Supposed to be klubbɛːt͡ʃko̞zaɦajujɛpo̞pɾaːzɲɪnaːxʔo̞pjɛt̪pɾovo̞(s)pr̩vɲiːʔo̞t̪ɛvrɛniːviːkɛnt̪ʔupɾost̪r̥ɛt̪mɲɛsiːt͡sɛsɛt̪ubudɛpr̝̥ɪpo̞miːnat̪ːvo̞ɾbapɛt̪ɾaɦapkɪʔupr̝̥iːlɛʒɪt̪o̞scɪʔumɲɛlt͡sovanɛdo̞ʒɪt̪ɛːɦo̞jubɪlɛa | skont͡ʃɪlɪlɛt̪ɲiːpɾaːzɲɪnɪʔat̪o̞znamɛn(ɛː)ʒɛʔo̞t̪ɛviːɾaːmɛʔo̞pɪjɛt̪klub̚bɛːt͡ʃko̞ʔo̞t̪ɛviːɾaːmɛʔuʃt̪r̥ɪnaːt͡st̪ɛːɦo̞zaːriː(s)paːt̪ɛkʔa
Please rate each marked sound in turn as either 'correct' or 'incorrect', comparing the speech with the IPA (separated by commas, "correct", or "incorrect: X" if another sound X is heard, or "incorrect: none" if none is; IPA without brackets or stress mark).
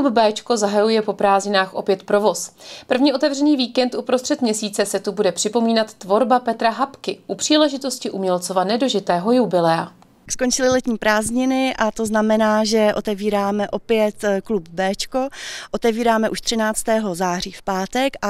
correct, incorrect: aː, incorrect: f